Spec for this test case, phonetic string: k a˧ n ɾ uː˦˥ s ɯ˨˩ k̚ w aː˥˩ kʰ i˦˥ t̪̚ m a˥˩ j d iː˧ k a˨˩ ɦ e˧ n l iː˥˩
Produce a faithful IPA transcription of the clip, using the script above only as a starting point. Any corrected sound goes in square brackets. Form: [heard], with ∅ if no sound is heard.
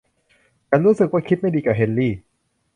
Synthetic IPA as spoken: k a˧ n ɾ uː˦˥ s ɯ˨˩ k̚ w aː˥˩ kʰ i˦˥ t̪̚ m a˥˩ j d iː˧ k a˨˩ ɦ e˧ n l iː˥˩